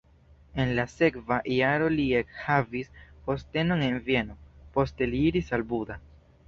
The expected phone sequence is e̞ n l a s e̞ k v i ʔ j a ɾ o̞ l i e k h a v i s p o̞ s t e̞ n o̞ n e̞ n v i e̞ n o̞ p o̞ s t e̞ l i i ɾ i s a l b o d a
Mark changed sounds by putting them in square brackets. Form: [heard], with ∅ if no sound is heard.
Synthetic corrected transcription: e̞ n l a s e̞ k v [a] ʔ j a ɾ o̞ l i e k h a v i s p o̞ s t e̞ n o̞ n e̞ n v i e̞ n o̞ p o̞ s t e̞ l i i ɾ i s a l b [u] d a